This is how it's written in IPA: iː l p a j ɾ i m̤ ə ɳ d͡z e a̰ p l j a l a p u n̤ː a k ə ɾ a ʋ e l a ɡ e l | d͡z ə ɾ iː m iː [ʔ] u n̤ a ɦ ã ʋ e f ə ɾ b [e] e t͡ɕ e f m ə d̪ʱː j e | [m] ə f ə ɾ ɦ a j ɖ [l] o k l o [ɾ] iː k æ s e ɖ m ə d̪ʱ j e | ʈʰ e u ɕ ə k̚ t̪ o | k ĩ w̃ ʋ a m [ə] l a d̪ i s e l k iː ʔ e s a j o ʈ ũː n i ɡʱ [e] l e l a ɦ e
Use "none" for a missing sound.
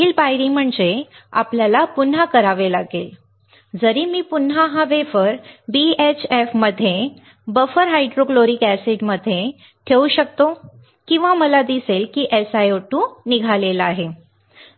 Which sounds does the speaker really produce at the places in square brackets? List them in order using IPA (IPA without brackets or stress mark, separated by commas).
p, i, b, ɾ, ɾ, ə, a